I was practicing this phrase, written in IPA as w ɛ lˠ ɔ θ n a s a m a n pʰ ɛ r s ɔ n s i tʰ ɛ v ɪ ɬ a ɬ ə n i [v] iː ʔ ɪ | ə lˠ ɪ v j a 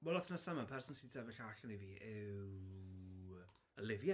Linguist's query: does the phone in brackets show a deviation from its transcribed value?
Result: no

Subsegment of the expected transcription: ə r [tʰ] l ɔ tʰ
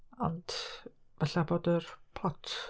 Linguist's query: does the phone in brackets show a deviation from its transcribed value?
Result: yes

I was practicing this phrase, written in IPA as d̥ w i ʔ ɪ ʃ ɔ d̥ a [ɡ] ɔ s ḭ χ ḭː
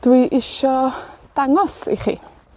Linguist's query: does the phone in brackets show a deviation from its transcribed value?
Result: yes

